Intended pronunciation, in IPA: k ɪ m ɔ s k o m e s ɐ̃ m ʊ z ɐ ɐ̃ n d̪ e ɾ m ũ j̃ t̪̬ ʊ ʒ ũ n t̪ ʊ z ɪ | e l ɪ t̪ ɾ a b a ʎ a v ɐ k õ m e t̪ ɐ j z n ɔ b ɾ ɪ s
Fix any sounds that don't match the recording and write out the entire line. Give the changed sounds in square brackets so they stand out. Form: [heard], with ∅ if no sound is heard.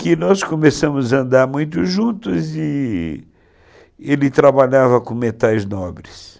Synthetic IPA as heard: k ɪ [n] ɔ s k o m e s ɐ̃ m ʊ z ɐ ɐ̃ n d̪ [a] ɾ m ũ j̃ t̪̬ ʊ ʒ ũ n t̪ ʊ z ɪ | e l ɪ t̪ ɾ a b a ʎ a v ɐ k õ m e t̪ [a] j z n ɔ b ɾ ɪ s

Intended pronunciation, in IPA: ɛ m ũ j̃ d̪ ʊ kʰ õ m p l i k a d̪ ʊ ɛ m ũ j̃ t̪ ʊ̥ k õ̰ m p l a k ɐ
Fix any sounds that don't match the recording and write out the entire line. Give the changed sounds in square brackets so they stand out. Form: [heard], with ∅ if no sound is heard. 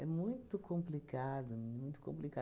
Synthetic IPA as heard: ɛ m ũ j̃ [t̪] ʊ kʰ õ m p l i k a d̪ ʊ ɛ m ũ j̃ t̪ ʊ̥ k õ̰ m p l [i] k [a]

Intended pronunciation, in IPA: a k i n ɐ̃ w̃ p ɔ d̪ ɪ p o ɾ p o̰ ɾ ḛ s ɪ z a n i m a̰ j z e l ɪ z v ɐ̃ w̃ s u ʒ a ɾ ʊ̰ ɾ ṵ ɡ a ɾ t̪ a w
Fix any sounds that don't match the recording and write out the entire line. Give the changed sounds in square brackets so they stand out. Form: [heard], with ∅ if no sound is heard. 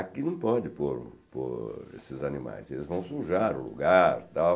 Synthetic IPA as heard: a k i n ɐ̃ w̃ p ɔ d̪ ɪ p o ɾ p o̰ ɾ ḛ s ɪ z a n i m a̰ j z e l ɪ z v ɐ̃ w̃ s u ʒ a ɾ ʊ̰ [l] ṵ ɡ a ɾ t̪ a w

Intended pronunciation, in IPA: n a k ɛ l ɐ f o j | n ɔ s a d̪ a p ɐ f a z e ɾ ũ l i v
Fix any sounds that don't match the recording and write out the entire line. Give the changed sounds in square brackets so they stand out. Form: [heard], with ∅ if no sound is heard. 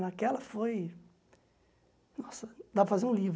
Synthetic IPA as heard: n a k ɛ l ɐ f o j | n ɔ s [ɐ] d̪ a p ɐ f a z e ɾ ũ l i v

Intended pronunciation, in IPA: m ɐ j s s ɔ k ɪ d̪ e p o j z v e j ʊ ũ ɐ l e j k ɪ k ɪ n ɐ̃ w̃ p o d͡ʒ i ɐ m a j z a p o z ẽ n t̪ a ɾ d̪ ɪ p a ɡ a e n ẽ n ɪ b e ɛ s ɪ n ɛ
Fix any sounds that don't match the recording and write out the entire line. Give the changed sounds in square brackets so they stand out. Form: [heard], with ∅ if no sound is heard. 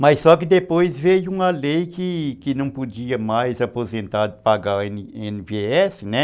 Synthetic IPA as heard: m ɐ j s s ɔ k ɪ d̪ e p o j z v e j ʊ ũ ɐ l e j k ɪ k ɪ n ɐ̃ w̃ p o d͡ʒ i ɐ m a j z a p o z ẽ n t̪ a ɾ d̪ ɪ p a ɡ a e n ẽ n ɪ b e ɛ s ɪ n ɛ

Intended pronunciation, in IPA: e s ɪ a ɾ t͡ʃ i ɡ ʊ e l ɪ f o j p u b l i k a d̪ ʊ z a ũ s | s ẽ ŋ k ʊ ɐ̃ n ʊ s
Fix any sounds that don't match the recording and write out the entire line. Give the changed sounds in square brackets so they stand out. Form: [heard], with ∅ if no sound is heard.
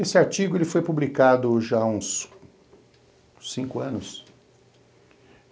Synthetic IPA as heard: e s ɪ a ɾ t͡ʃ i ɡ ʊ e l ɪ f o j p u b l i k a d̪ ʊ [ʒ] a ũ s | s [ĩ] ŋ k ʊ ɐ̃ n ʊ s

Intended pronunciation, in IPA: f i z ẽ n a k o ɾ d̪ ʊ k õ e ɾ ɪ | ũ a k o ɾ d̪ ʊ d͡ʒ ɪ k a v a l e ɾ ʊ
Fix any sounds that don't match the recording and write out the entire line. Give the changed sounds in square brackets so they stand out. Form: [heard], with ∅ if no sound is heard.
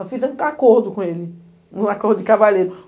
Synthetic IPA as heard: f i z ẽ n a k o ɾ d̪ ʊ k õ e [l] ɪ | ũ a k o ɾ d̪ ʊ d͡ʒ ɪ k a v a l e ɾ ʊ

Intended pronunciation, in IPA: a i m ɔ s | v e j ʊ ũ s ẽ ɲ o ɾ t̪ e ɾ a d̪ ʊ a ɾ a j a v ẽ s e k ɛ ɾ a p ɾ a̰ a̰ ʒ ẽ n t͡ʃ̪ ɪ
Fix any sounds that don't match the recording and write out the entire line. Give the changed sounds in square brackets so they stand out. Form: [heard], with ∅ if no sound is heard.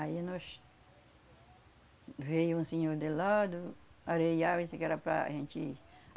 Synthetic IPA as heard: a i [n] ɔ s | v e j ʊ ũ s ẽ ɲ o ɾ [d̪] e [l] a d̪ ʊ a ɾ [e] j a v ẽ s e k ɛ ɾ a p ɾ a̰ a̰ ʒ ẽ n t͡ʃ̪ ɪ

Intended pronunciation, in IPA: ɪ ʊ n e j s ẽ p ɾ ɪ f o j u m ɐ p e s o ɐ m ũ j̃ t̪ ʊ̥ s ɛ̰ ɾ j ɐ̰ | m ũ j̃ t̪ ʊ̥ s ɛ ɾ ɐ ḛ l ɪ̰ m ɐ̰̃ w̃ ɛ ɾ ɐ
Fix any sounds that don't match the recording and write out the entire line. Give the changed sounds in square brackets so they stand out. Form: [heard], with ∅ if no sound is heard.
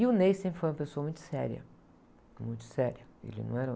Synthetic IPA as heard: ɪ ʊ n e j s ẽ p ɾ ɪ f o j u m ɐ p e s o ɐ m ũ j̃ t̪ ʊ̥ s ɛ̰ ɾ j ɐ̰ | m ũ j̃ t̪ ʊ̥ s ɛ ɾ ɐ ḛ l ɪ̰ [n] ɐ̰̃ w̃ ɛ ɾ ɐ

